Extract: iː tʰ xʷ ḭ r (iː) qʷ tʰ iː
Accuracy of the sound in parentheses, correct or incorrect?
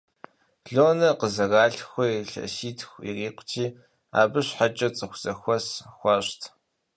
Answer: correct